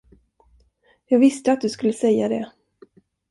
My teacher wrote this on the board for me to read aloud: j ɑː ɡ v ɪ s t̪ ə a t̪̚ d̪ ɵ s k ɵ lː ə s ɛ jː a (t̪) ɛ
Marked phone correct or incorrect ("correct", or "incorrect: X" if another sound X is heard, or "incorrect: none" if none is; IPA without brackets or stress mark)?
incorrect: d̪